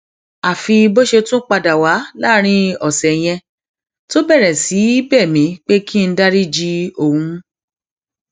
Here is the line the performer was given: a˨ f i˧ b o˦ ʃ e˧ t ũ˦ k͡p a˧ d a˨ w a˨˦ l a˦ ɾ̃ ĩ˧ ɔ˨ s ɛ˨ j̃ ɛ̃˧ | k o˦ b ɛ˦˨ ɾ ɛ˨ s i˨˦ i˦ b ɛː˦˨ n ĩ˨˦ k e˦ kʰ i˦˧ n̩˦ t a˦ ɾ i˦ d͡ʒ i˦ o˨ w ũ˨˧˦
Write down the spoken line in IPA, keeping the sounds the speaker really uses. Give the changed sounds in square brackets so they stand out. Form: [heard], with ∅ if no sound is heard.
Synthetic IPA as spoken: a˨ f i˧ b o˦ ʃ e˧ t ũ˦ k͡p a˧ d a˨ w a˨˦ l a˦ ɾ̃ ĩ˧ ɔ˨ s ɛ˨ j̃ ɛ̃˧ | [t] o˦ b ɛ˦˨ ɾ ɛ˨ s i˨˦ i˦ b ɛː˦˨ [m] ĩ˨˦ [k͡p] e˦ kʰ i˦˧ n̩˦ [d] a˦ ɾ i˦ d͡ʒ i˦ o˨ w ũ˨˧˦

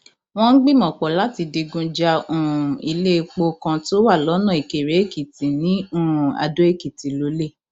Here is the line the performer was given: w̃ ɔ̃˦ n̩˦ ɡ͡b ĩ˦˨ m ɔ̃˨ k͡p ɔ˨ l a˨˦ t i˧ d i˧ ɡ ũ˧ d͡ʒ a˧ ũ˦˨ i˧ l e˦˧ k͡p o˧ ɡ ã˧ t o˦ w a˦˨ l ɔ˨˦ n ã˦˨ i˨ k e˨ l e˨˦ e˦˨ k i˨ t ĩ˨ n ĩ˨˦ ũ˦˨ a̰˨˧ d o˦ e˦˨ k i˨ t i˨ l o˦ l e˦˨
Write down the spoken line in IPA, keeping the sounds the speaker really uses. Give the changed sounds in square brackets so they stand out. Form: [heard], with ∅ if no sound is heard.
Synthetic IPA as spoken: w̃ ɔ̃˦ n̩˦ ɡ͡b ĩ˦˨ m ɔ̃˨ k͡p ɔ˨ l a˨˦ t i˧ d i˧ ɡ ũ˧ d͡ʒ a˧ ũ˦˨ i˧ l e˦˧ k͡p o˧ [k] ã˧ t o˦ w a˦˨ l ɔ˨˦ n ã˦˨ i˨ k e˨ [ɾ] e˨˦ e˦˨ k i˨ t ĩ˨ n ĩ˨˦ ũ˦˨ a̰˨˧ d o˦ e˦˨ k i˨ t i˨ l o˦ l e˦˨

